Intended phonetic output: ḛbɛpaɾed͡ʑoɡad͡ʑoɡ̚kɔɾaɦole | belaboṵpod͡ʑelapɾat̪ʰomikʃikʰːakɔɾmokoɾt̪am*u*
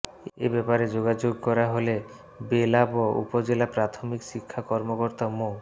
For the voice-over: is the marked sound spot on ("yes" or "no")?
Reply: no